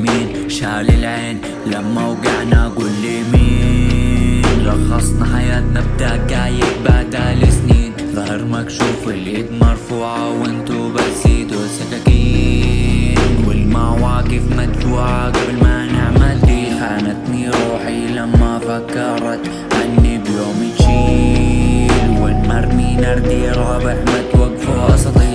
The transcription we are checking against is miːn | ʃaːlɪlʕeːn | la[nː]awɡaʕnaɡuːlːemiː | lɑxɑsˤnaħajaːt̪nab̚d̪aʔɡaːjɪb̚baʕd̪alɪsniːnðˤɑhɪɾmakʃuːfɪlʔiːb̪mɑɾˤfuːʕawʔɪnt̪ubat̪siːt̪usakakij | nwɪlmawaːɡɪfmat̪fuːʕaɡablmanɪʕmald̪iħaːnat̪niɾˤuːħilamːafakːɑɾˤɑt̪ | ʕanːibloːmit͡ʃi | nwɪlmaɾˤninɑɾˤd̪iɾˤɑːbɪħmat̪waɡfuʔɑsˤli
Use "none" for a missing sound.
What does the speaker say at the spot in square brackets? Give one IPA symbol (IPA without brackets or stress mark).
mː